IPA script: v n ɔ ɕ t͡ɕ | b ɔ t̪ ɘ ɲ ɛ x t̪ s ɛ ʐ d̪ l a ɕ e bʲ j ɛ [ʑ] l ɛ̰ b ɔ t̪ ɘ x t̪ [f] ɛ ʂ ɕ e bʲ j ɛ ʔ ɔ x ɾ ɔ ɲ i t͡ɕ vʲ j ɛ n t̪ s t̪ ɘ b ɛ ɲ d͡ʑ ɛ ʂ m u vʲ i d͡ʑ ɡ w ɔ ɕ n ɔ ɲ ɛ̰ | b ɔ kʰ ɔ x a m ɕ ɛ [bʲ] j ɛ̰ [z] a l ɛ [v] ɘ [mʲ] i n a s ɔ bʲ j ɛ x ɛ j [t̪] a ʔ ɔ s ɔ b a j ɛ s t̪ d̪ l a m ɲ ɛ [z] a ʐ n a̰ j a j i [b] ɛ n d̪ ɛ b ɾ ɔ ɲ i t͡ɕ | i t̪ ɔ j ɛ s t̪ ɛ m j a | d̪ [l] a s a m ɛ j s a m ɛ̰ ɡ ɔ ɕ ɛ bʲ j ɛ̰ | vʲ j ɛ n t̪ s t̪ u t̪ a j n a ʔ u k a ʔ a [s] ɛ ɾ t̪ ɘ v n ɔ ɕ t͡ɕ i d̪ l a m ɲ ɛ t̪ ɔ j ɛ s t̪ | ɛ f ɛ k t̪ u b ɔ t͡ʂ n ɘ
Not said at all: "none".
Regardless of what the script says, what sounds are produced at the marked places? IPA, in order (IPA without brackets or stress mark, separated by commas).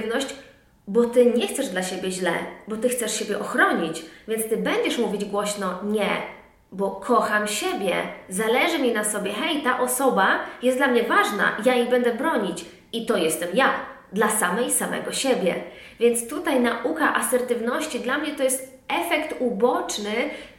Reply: ʑ, s, bʲ, z, ʐ, mʲ, t̪, v, b, l, s